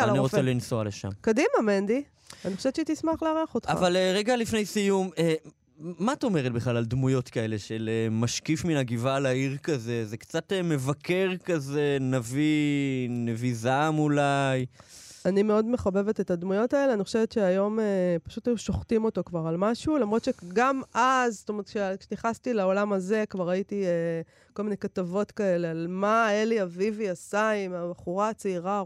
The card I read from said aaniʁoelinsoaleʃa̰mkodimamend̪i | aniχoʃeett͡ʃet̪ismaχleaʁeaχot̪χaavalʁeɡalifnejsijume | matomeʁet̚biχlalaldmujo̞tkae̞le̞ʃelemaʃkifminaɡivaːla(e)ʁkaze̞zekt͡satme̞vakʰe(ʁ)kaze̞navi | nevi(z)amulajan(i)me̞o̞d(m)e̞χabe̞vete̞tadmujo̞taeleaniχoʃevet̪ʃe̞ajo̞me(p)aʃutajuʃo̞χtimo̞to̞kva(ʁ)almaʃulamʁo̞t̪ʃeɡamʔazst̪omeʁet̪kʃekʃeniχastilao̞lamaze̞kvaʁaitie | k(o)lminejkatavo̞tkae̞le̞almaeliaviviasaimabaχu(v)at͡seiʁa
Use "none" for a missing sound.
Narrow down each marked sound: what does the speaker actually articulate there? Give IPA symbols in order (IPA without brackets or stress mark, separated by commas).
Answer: i, ʁ, z, i, m, p, ʁ, o, ʁ